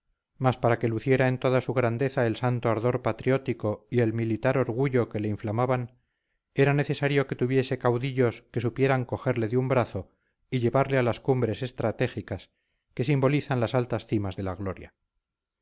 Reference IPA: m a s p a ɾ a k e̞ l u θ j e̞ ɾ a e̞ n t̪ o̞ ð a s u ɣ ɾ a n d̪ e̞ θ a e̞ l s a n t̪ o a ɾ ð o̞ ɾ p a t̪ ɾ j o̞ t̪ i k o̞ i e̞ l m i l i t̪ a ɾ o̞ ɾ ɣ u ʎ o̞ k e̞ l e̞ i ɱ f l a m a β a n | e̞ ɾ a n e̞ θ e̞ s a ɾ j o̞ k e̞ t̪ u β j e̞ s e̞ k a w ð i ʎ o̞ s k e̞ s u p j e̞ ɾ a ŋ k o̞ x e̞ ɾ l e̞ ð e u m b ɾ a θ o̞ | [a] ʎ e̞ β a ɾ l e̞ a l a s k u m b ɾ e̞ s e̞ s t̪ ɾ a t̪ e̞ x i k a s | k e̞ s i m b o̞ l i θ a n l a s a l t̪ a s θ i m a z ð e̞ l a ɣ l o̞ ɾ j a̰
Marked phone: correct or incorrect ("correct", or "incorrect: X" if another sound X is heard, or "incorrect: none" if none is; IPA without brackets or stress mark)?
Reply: incorrect: i